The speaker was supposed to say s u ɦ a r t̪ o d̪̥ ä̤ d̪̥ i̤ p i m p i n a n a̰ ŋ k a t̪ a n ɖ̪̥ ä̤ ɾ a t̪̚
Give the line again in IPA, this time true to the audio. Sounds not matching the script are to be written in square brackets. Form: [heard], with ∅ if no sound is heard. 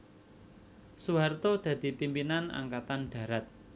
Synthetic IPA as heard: s u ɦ a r t̪ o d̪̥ ä̤ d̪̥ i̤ p i m p i n a n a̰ ŋ k a t̪ a n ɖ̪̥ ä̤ ɾ a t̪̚